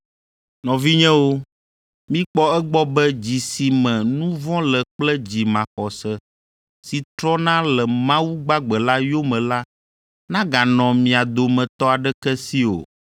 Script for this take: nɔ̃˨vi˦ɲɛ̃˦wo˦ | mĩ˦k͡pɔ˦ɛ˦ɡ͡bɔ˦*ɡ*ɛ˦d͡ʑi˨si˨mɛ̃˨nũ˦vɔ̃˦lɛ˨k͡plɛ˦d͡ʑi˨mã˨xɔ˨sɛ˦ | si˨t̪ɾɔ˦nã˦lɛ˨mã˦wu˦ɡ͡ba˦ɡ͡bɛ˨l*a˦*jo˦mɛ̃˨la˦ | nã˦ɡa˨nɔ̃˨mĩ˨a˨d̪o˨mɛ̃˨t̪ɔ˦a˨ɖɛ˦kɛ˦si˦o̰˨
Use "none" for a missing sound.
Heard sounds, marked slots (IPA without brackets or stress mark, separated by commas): b, a˦